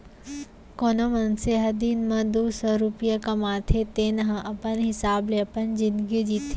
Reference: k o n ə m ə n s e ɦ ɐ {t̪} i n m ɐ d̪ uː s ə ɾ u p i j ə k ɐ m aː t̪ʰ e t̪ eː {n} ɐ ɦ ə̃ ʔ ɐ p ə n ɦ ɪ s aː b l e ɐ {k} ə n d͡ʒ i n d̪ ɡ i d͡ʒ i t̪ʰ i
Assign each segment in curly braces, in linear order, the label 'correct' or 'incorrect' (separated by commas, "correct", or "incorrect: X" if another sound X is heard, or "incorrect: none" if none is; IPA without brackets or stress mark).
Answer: incorrect: d̪, correct, incorrect: p